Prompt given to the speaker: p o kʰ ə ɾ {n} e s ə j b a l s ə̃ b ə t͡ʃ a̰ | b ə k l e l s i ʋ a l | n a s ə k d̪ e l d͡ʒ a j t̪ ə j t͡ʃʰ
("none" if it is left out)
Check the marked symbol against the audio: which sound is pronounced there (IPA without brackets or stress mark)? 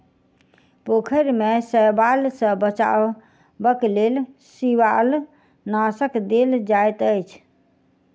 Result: m